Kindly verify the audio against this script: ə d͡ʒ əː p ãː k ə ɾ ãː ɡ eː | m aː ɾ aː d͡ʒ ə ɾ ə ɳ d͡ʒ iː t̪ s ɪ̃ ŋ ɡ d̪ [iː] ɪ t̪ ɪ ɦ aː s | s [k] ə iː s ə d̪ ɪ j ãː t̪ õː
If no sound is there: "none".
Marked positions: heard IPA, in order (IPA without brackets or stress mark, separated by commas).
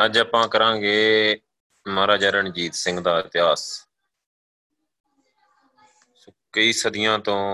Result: aː, k